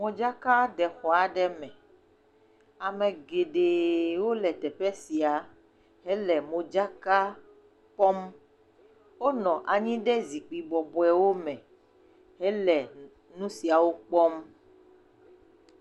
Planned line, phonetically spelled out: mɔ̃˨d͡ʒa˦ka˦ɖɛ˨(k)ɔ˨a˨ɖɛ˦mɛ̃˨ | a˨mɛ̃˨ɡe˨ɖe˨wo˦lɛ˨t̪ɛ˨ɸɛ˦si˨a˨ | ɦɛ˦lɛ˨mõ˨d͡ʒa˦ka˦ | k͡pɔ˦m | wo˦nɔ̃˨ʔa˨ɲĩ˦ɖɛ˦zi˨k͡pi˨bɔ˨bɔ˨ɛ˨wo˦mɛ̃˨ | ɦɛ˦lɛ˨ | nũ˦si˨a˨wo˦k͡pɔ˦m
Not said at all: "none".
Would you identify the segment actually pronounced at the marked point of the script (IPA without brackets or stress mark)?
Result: x